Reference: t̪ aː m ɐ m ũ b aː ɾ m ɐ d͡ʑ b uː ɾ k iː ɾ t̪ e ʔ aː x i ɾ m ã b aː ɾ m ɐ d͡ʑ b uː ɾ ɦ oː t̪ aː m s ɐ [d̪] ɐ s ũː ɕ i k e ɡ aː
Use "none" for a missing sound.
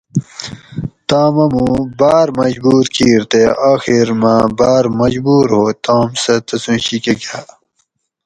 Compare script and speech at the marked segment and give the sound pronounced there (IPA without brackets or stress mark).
t̪